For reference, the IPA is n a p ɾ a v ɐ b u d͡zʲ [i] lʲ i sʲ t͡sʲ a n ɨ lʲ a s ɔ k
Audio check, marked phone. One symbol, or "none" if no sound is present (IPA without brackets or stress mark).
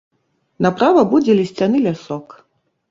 ɛ